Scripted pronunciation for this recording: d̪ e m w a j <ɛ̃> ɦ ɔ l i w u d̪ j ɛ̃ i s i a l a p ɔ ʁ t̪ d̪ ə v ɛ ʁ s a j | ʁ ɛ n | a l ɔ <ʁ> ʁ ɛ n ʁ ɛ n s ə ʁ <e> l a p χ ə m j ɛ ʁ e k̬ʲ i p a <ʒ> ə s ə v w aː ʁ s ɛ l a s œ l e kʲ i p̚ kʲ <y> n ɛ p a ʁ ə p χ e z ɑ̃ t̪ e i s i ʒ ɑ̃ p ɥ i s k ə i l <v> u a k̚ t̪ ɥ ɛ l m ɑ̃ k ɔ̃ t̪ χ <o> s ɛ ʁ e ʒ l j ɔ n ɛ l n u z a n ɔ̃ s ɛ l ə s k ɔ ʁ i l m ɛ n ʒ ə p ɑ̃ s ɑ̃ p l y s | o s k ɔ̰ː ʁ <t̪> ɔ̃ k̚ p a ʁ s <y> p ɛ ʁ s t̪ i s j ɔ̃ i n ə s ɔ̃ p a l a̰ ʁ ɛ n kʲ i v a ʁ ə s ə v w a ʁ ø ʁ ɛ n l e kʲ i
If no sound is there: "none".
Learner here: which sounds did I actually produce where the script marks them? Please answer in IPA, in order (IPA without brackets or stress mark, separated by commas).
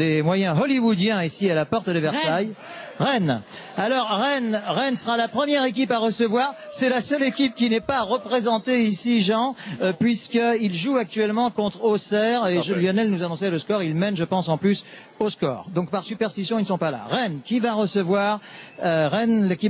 ɛ̃, ʁ, a, ʁ, i, ʒ, o, d̪, y